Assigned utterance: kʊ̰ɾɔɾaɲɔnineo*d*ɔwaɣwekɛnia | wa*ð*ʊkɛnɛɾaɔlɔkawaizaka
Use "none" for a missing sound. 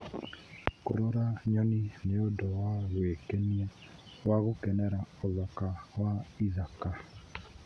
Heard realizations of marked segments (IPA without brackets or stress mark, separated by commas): d, ɣ